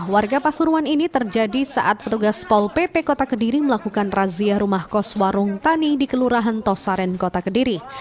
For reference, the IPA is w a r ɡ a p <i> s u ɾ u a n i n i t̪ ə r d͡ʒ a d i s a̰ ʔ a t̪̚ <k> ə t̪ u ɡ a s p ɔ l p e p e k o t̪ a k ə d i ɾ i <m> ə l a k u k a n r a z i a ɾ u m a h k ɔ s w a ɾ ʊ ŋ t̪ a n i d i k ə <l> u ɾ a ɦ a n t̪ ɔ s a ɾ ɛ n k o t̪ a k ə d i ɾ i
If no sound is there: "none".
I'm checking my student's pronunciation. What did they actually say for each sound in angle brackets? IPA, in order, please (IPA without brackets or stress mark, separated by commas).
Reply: a, p, m, l